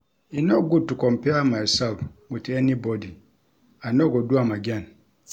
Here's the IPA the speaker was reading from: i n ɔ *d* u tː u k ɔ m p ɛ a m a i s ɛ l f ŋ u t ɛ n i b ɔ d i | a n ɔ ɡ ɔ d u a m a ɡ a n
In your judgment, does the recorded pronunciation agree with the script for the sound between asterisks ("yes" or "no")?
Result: no